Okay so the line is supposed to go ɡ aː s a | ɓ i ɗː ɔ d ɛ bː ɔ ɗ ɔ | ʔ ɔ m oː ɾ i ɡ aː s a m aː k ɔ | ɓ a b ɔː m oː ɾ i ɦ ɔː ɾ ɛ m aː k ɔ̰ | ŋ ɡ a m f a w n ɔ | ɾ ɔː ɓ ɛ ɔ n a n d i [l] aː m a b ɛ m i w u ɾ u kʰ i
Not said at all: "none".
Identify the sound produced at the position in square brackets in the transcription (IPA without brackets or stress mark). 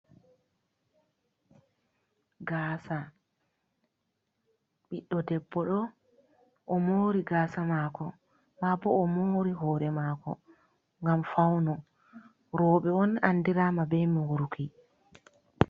ɾ